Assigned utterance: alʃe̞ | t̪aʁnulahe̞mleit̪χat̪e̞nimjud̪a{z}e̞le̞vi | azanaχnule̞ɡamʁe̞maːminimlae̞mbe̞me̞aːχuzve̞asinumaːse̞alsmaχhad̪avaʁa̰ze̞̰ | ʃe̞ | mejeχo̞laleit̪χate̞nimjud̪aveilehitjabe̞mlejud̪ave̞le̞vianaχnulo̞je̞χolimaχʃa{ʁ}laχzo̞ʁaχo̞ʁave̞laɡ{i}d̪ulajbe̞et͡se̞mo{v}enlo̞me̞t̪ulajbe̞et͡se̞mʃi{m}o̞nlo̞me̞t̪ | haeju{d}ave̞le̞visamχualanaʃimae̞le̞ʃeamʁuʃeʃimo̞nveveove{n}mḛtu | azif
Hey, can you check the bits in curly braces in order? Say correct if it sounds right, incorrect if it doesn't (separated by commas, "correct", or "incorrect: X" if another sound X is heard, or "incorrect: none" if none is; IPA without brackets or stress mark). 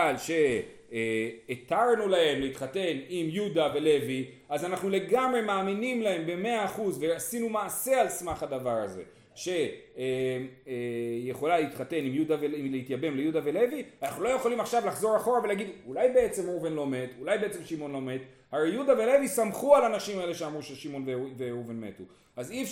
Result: incorrect: v, incorrect: v, correct, correct, correct, correct, correct